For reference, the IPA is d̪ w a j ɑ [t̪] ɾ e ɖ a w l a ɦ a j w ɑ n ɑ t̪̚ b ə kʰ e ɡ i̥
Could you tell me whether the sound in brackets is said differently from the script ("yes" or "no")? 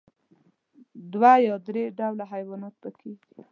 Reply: yes